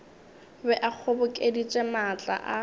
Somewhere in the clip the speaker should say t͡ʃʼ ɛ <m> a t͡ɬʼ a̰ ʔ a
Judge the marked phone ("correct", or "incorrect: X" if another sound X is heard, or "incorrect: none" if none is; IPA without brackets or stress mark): correct